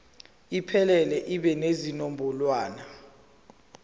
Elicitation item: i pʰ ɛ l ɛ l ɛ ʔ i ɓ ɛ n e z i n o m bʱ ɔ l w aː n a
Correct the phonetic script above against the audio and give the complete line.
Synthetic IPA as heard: i pʰ ɛ l ɛ l ɛ ʔ i ɓ ɛ n e z i n o m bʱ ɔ l w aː n a